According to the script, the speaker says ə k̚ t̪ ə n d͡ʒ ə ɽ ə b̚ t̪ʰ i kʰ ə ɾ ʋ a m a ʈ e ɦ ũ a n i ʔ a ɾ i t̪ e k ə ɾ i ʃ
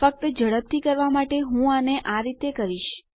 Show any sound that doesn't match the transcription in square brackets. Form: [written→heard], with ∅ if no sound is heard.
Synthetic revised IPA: ə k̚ t̪ ə [n→∅] d͡ʒ ə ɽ ə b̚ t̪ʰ i [kʰ→k] ə ɾ ʋ a m a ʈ e ɦ ũ a n [i→e] ʔ a ɾ i t̪ e k ə ɾ i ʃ